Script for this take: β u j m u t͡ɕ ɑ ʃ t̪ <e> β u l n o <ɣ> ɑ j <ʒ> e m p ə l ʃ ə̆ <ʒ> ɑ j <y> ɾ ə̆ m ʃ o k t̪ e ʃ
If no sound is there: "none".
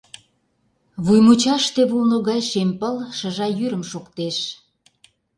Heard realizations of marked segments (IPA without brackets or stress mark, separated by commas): e, ɣ, ʃ, ʒ, y